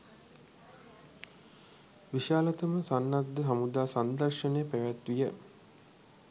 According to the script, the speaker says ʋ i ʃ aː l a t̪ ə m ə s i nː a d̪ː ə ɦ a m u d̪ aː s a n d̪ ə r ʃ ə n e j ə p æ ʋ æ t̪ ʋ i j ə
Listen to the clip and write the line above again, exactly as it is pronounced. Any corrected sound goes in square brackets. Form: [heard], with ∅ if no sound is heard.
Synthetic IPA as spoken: ʋ i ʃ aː l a t̪ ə m ə s [a] nː a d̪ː ə ɦ a m u d̪ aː s a n d̪ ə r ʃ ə n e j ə p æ ʋ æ t̪ ʋ i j ə